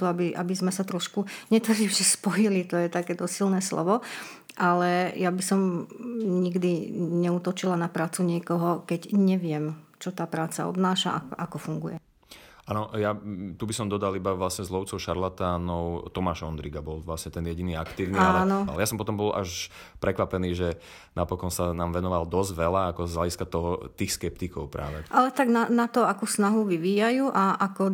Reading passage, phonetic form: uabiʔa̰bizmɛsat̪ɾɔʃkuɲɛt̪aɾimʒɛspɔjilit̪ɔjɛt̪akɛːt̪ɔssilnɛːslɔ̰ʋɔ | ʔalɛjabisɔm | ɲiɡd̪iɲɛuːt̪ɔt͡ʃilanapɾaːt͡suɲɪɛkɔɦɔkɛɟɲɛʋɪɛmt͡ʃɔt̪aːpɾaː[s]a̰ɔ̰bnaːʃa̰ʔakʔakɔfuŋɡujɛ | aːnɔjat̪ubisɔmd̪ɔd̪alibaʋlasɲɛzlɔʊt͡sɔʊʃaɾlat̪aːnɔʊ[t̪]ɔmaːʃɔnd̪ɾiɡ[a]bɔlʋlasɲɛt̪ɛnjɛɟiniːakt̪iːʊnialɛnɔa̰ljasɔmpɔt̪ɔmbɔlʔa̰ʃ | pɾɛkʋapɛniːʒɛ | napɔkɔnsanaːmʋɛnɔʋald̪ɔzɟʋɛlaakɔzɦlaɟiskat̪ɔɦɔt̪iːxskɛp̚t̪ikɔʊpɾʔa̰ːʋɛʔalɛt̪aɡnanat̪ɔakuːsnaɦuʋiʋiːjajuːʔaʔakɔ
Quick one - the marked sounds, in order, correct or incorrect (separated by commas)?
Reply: incorrect, correct, correct